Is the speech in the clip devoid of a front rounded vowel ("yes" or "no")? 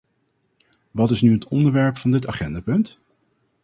no